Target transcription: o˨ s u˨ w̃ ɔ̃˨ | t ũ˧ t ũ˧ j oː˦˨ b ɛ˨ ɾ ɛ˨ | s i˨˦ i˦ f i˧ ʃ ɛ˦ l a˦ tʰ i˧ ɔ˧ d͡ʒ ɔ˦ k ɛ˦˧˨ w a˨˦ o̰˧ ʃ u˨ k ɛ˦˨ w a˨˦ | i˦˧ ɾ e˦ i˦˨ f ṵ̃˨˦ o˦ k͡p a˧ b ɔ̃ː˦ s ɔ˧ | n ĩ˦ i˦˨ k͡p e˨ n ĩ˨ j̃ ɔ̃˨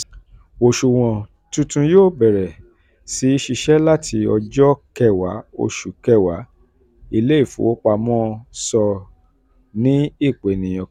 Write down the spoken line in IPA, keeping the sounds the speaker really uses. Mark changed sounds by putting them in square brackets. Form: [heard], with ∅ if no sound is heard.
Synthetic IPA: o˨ [ʃ] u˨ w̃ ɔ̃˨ | t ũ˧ t ũ˧ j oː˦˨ b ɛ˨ ɾ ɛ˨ | s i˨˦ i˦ [ʃ] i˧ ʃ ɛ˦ l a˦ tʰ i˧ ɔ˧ d͡ʒ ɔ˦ k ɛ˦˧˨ w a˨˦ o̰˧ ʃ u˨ k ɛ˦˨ w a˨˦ | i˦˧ [l] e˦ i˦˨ f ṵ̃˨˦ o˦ k͡p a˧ [m] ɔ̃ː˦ s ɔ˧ | n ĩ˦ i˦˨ k͡p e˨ n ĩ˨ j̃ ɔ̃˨